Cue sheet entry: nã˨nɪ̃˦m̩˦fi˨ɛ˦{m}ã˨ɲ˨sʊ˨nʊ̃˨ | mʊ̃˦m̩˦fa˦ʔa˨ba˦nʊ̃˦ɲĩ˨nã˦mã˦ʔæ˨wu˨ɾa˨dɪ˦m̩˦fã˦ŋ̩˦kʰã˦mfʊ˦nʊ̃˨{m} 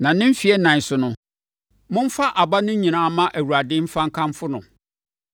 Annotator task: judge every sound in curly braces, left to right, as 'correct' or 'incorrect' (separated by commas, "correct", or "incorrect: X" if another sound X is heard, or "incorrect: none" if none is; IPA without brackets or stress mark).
incorrect: n, incorrect: none